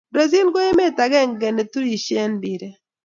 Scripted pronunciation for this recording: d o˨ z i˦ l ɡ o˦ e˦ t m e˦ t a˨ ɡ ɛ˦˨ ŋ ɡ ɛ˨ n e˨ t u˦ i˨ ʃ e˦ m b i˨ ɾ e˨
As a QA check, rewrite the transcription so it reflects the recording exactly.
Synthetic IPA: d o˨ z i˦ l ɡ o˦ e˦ m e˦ t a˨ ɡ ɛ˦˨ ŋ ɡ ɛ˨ n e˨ t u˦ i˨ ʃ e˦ n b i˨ ɾ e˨